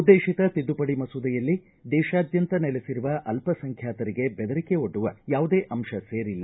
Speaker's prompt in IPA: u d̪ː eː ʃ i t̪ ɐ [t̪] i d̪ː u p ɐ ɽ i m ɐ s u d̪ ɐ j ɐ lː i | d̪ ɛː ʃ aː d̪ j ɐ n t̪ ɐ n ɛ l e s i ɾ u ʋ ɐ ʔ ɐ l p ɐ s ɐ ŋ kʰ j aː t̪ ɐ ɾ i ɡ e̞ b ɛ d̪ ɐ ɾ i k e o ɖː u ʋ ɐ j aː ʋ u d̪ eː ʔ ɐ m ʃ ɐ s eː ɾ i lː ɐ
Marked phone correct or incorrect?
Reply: correct